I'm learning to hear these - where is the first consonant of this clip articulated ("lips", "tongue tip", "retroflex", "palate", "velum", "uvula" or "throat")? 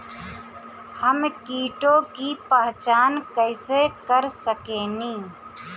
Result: throat